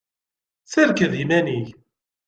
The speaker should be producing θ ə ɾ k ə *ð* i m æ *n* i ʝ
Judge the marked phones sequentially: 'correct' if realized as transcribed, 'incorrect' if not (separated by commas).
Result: correct, correct